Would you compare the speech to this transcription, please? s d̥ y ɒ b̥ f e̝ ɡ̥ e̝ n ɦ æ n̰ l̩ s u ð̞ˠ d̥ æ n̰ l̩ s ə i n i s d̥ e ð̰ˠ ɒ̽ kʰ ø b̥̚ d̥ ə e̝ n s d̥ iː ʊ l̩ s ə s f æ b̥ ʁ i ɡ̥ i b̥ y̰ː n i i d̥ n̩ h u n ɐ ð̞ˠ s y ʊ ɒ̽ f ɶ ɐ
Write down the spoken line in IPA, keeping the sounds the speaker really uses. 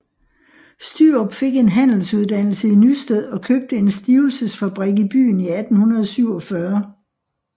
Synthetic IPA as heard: s d̥ y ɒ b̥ f e̝ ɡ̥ e̝ n ɦ æ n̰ l̩ s u ð̞ˠ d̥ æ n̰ l̩ s ə i n y s d̥ e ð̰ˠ ɒ̽ kʰ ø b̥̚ d̥ ə e̝ n s d̥ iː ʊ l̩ s ə s f æ b̥ ʁ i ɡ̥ i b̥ y̰ː n i æ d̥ n̩ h u n ɐ ð̞ˠ s y ʊ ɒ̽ f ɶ ɐ